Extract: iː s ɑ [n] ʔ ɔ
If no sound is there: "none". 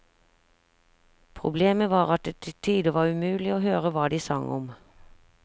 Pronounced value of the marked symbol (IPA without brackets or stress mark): ŋ